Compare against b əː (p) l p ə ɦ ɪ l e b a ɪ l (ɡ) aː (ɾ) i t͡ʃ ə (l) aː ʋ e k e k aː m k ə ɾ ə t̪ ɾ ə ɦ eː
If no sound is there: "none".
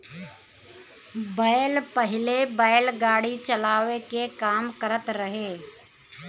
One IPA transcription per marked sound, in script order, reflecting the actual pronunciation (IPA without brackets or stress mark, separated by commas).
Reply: none, ɡ, ɽ, l